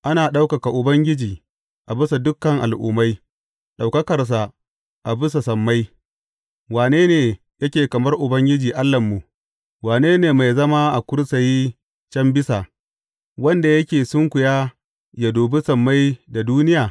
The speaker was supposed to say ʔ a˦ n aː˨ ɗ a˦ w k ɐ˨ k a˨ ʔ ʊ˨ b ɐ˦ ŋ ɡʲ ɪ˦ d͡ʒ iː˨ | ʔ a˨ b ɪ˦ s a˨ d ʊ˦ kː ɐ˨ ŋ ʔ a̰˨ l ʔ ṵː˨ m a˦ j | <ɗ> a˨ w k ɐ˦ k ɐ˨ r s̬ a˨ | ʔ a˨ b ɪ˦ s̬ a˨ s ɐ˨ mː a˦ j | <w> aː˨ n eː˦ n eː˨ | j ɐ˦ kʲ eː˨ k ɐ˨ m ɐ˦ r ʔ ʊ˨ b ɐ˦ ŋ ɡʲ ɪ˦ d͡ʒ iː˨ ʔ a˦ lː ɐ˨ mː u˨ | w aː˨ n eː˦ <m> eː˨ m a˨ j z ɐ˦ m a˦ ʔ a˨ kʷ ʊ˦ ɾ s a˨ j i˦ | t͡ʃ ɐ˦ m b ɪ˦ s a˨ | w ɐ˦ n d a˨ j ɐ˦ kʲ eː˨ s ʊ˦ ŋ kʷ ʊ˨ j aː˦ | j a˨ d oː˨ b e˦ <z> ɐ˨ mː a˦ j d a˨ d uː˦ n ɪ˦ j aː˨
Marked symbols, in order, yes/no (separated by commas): yes, yes, no, no